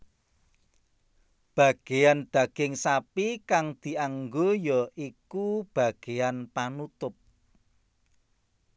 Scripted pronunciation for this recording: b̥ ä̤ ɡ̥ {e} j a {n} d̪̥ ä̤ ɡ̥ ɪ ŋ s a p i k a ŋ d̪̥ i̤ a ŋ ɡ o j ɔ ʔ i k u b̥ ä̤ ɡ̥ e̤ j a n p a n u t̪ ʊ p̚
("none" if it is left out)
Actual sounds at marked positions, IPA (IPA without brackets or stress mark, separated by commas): e, n